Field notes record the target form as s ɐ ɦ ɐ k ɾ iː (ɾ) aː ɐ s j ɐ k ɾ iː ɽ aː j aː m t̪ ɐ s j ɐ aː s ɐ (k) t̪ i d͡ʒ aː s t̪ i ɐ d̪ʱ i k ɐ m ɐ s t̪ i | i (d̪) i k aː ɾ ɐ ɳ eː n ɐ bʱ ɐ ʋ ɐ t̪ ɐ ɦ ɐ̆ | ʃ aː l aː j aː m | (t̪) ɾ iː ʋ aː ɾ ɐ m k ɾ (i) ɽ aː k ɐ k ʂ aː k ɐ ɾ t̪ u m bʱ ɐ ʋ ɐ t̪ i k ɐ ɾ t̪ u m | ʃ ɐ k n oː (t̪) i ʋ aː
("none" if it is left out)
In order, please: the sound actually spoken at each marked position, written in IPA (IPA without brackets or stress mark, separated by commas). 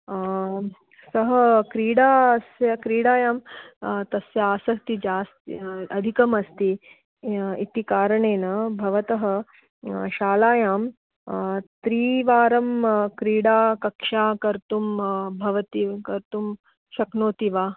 ɽ, k, t̪, t̪, iː, t̪